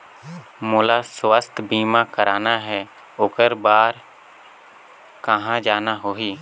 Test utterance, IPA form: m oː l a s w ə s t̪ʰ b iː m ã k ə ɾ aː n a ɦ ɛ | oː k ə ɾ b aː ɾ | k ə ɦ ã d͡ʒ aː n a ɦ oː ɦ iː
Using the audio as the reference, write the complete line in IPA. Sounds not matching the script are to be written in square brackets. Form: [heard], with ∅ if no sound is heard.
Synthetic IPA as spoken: m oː l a s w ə s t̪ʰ b iː m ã k ə ɾ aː n a ɦ ɛ | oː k ə ɾ b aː ɾ | k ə ɦ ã d͡ʒ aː n a ɦ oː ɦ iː